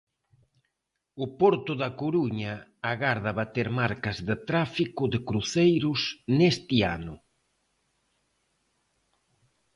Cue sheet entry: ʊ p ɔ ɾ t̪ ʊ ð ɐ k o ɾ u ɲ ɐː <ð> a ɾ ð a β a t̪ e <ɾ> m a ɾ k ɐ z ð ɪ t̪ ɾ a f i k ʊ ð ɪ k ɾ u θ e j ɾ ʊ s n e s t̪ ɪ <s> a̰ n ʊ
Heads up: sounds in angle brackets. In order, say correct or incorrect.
incorrect: ɣ, correct, incorrect: none

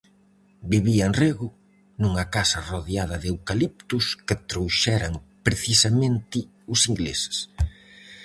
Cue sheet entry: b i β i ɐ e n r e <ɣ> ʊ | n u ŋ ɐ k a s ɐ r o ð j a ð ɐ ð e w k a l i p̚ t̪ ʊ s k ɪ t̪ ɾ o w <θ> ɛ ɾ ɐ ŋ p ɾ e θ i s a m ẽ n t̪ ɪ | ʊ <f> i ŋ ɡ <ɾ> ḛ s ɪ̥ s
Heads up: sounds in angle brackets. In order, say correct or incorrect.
correct, incorrect: ʃ, incorrect: s, incorrect: l

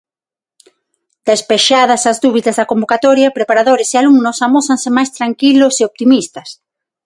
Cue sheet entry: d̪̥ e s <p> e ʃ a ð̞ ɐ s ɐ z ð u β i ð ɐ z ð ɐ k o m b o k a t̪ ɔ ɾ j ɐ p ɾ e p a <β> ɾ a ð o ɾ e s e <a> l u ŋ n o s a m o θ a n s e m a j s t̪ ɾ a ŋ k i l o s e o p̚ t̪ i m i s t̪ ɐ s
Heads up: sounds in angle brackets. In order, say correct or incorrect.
correct, incorrect: none, correct

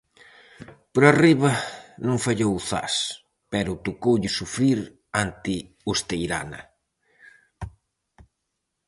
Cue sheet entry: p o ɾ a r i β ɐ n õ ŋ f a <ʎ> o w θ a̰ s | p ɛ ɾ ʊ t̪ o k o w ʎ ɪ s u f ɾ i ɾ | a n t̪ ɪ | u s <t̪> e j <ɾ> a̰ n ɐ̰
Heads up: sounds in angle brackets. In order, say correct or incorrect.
correct, correct, correct

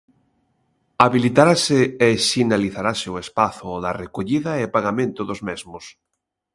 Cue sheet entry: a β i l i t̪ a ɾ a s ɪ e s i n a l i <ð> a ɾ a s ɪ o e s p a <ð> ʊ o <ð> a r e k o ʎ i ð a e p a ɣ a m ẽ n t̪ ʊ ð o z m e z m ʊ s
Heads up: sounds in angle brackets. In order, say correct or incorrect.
incorrect: θ, incorrect: θ, correct

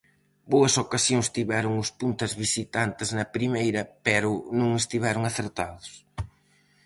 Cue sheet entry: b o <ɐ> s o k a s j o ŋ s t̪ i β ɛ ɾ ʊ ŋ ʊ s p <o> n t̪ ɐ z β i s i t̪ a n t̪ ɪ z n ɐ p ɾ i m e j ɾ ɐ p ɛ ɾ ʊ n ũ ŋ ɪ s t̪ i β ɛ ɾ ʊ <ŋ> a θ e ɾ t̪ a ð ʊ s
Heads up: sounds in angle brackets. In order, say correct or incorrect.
correct, incorrect: u, correct

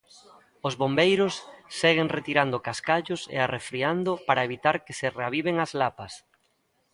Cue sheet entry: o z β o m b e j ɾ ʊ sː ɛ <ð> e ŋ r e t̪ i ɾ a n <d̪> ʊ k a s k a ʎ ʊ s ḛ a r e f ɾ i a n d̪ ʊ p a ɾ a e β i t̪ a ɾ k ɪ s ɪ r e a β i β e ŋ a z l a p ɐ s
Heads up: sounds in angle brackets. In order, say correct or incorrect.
incorrect: ɣ, correct

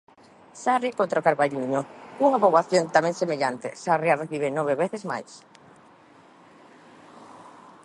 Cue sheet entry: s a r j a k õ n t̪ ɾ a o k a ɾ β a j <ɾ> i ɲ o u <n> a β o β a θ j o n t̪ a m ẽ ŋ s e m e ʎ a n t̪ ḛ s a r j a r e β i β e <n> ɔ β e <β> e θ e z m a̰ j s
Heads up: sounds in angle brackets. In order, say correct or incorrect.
incorrect: ʎ, incorrect: ŋ, correct, correct

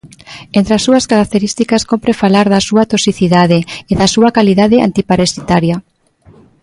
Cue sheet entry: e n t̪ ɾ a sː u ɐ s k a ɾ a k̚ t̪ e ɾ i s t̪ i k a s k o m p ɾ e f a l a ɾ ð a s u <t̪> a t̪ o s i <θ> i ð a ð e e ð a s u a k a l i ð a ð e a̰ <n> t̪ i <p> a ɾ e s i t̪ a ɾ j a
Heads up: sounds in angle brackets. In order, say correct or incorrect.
incorrect: none, correct, correct, correct

